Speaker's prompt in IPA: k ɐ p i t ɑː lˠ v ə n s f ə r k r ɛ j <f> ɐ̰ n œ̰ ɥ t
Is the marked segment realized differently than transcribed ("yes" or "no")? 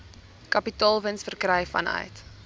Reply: no